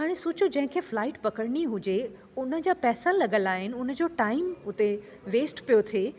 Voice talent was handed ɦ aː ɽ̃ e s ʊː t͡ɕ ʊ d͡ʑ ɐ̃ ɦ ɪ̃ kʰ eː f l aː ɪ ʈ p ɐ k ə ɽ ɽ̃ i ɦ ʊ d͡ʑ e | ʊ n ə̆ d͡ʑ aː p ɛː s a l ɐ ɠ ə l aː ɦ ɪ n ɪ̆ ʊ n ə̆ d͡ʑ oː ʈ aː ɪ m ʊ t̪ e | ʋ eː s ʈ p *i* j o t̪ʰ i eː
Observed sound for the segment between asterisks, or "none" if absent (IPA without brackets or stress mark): i